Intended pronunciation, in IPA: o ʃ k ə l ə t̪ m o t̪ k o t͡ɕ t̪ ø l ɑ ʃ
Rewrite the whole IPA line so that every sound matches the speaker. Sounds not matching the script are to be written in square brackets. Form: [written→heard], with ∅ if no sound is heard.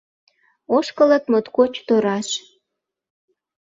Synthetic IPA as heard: o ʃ k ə l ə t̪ m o t̪ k o t͡ɕ t̪ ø [l→ɾ] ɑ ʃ